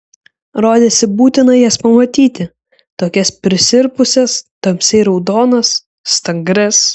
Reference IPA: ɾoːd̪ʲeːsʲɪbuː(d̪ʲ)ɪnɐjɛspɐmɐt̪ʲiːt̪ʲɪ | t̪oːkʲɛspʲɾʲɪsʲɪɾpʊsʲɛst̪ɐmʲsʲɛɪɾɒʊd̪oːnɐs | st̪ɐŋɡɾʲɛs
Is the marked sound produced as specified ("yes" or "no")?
no